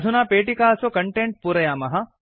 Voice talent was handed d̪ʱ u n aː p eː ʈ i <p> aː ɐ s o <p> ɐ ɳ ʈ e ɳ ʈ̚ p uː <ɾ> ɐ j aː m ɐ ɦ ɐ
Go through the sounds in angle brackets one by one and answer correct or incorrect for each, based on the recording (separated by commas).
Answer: incorrect, incorrect, correct